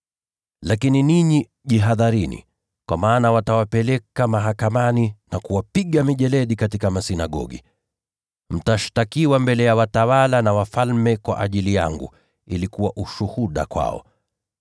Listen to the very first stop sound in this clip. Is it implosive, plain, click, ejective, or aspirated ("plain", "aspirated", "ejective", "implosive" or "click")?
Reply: plain